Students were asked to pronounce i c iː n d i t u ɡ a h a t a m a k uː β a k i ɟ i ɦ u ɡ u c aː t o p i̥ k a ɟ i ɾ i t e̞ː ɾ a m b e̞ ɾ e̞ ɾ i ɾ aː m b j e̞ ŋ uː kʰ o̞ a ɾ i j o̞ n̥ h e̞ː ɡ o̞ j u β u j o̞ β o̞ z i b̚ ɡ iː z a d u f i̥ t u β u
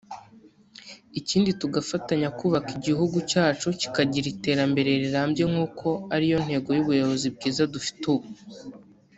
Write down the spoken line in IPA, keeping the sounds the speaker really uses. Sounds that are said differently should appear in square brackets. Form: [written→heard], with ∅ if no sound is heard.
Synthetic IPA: i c iː n d i t u ɡ a [h→f] a t a [m→ɲ] a k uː β a k i ɟ i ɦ u ɡ u c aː [t→t͡ʃ] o [p→c] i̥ k a ɟ i ɾ i t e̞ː ɾ a m b e̞ ɾ e̞ ɾ i ɾ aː m b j e̞ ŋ uː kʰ o̞ a ɾ i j o̞ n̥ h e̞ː ɡ o̞ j u β u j o̞ β o̞ z i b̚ ɡ iː z a d u f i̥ t u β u